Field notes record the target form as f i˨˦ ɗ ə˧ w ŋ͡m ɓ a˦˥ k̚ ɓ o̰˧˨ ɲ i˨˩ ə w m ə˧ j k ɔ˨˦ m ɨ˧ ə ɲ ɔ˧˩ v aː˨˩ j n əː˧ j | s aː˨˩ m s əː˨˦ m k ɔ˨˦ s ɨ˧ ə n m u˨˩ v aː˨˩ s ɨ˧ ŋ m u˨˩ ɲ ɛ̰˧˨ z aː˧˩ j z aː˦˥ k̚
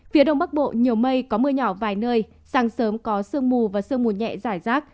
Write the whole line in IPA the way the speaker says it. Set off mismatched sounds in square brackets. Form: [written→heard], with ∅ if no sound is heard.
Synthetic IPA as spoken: f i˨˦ ɗ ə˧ w ŋ͡m ɓ a˦˥ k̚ ɓ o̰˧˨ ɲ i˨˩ ə w m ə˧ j k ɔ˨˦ m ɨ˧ ə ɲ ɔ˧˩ v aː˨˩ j n əː˧ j | s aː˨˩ [m→ŋ] s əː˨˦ m k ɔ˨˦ s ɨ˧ ə [n→ŋ] m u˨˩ v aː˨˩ s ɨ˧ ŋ m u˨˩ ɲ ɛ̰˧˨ z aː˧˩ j z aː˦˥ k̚